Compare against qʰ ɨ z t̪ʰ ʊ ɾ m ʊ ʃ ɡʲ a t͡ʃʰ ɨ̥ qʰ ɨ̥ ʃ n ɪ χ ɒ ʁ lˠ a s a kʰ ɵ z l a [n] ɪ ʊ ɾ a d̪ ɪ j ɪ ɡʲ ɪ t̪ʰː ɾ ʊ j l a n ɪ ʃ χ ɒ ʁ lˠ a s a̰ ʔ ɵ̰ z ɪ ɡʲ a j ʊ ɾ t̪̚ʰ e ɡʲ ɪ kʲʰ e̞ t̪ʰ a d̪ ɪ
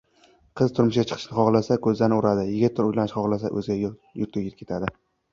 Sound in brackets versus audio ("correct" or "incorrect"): correct